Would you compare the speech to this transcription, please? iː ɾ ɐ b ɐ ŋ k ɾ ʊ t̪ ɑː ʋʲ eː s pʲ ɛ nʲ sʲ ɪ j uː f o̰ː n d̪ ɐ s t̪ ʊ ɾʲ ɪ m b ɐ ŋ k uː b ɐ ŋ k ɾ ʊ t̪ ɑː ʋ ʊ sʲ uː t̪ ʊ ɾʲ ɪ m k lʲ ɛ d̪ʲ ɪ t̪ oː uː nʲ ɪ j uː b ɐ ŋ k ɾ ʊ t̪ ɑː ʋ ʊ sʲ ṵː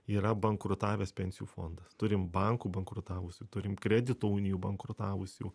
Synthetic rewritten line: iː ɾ ɐ b ɐ ŋ k ɾ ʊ t̪ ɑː ʋʲ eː s pʲ ɛ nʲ sʲ ɪ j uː f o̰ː n d̪ ɐ s t̪ ʊ ɾʲ ɪ m b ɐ ŋ k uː b ɐ ŋ k ɾ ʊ t̪ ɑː ʋ ʊ sʲ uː t̪ ʊ ɾʲ ɪ m k ɾʲ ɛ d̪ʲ ɪ t̪ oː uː nʲ ɪ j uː b ɐ ŋ k ɾ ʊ t̪ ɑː ʋ ʊ sʲ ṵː